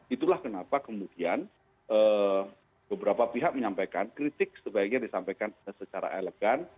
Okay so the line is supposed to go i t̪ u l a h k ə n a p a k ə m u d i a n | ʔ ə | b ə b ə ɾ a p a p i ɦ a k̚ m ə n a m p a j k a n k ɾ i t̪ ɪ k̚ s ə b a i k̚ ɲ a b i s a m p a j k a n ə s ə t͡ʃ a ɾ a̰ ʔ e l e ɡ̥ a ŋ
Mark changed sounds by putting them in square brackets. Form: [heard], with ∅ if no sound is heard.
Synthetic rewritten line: i t̪ u l a h k ə n a p a k ə m u d i a n | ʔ ə | b ə b ə ɾ a p a p i ɦ a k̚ m ə [ɲ] a m p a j k a n k ɾ i t̪ ɪ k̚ s ə b a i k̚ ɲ a [d] i s a m p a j k a n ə s ə t͡ʃ a ɾ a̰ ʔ e l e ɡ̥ a [n]